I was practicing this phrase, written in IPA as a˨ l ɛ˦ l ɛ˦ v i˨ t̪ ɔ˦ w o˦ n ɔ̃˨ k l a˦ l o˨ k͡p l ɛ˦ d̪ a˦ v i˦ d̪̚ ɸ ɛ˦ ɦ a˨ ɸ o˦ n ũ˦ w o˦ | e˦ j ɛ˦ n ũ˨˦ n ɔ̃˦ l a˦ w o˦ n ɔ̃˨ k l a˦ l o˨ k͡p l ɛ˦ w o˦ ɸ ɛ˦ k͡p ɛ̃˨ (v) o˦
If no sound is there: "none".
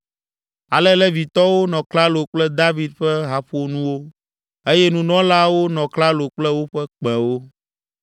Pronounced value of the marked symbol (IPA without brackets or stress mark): w